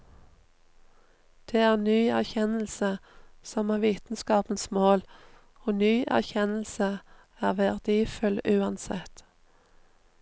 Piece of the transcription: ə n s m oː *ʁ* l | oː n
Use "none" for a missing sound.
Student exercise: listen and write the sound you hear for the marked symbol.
none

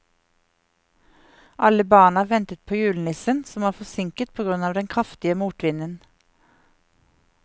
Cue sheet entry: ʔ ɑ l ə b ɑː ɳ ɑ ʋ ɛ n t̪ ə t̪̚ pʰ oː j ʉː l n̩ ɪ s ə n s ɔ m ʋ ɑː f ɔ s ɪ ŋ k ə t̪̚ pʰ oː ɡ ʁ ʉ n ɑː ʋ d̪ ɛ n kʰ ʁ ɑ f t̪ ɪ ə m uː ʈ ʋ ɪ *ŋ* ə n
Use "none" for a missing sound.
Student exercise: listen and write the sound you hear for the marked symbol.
n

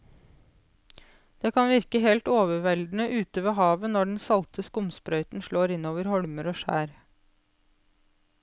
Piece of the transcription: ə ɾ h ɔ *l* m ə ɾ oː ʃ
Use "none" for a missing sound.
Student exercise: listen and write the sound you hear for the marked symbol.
ɽ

